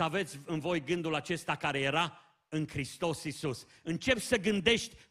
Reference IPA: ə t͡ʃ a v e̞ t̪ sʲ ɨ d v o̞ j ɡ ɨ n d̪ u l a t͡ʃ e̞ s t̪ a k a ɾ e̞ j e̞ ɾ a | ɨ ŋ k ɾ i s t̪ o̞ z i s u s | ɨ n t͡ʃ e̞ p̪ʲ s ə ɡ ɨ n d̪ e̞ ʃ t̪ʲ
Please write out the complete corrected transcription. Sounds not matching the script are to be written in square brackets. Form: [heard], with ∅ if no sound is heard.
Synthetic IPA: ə [∅] a v e̞ t̪ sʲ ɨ [n] v o̞ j ɡ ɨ n d̪ u l a t͡ʃ e̞ s t̪ a k a ɾ e̞ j e̞ ɾ a | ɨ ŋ k ɾ i s t̪ o̞ [s] i s u s | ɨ n t͡ʃ e̞ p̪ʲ s ə ɡ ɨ n d̪ e̞ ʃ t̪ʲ